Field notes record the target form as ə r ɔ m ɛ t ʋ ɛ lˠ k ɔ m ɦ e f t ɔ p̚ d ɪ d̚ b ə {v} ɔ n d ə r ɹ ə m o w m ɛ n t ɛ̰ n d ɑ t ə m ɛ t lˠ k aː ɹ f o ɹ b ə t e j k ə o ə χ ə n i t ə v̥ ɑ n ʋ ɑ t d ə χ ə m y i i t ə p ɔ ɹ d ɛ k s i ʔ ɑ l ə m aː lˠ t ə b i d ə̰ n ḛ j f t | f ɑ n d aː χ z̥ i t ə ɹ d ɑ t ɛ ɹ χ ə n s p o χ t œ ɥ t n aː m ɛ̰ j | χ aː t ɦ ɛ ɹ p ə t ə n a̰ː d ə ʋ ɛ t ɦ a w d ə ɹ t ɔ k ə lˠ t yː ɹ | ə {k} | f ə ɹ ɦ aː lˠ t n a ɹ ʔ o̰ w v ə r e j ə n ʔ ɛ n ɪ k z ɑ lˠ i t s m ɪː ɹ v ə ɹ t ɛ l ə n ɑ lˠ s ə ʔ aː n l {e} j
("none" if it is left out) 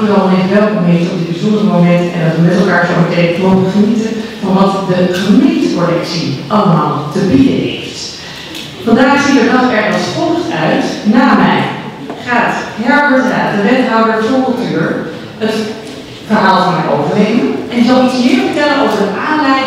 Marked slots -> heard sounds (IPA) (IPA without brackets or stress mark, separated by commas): z, t, ɛ